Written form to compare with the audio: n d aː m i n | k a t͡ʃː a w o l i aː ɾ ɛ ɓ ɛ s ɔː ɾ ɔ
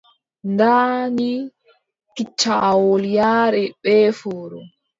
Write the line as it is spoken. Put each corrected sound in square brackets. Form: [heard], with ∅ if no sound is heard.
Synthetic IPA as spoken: n d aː [n] i [∅] | k [i] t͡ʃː a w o l [j] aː ɾ ɛ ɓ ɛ [f] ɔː ɾ ɔ